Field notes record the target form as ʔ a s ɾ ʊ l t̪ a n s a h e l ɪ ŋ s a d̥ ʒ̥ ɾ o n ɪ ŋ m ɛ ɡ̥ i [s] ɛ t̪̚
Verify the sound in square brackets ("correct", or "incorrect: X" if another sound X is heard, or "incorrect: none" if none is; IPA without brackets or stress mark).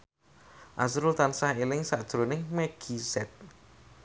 correct